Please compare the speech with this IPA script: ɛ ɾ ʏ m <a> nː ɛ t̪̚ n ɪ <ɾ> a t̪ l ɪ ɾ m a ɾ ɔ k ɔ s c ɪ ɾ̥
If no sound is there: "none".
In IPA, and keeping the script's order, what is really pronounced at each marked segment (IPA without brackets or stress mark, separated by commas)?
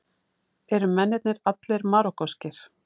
ɛ, ɾ